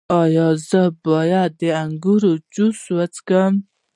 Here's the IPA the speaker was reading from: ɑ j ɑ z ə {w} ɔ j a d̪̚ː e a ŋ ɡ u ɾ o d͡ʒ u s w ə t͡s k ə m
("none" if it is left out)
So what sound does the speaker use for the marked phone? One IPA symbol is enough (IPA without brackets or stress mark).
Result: b